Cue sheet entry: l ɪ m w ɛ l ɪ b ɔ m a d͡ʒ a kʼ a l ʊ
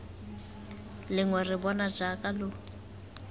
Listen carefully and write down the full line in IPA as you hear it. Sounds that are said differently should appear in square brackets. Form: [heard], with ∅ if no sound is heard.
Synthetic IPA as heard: l ɪ [ŋ] w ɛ [r] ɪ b ɔ [n] a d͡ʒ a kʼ a l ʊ